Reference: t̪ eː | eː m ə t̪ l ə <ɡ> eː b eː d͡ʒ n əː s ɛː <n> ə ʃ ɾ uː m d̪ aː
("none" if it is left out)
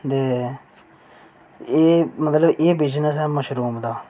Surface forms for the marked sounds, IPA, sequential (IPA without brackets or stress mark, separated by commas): b, m